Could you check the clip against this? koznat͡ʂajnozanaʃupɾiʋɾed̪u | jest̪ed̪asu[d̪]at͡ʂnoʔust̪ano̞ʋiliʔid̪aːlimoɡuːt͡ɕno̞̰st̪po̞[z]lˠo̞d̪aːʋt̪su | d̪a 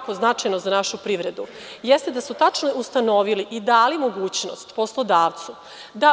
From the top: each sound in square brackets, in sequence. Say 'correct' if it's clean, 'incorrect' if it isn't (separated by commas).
incorrect, incorrect